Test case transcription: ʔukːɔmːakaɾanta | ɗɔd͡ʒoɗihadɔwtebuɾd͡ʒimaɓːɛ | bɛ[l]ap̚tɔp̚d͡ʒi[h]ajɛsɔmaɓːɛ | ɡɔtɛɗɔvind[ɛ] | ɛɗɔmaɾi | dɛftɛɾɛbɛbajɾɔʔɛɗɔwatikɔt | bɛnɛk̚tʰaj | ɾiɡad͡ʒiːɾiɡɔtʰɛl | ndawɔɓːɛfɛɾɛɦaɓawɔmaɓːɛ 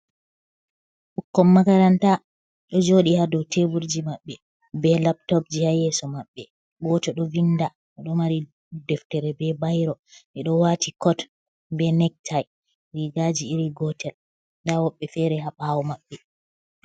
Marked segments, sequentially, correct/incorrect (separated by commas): correct, correct, incorrect